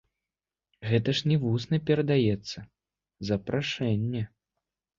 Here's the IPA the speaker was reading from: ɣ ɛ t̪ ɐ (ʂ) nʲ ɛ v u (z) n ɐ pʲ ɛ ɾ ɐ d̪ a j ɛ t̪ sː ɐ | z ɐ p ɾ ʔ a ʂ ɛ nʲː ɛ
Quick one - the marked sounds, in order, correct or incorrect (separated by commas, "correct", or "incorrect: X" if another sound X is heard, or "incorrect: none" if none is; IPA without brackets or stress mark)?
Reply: correct, incorrect: s